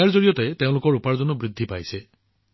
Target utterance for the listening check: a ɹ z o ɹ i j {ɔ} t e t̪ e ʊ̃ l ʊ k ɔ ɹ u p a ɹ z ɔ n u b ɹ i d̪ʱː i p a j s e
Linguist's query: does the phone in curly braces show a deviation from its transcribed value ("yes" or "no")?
no